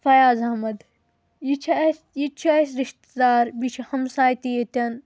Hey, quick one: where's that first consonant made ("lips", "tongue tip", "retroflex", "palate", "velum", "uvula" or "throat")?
lips